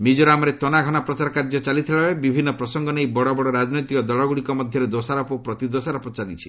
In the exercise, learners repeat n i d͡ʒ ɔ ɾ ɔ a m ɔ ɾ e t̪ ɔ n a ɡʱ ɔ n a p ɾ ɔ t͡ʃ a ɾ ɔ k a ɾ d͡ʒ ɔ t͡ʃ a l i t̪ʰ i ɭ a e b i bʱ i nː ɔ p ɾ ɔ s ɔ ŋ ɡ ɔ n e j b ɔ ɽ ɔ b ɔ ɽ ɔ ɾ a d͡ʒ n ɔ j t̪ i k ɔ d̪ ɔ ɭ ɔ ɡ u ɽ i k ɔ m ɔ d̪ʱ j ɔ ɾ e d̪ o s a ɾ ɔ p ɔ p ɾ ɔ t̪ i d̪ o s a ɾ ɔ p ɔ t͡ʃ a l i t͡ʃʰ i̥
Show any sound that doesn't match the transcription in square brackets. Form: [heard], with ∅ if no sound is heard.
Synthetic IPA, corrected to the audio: [m] i d͡ʒ ɔ ɾ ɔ a m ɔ ɾ e t̪ ɔ n a ɡʱ ɔ n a p ɾ ɔ t͡ʃ a ɾ ɔ k a ɾ d͡ʒ ɔ t͡ʃ a l i t̪ʰ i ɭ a e b i bʱ i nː ɔ p ɾ ɔ s ɔ ŋ ɡ ɔ n e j b ɔ ɽ ɔ b ɔ ɽ ɔ ɾ a d͡ʒ n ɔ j t̪ i k ɔ d̪ ɔ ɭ ɔ ɡ u ɽ i k ɔ m ɔ d̪ʱ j ɔ ɾ e d̪ o s a ɾ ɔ p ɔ p ɾ ɔ t̪ i d̪ o s a ɾ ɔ p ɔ t͡ʃ a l i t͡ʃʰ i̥